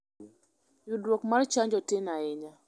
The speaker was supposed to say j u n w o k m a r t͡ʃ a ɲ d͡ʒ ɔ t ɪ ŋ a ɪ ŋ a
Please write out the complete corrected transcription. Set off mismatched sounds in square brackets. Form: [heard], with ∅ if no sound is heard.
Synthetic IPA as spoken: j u [d] w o k m a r t͡ʃ a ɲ d͡ʒ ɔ t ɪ [n] a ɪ [ɲ] a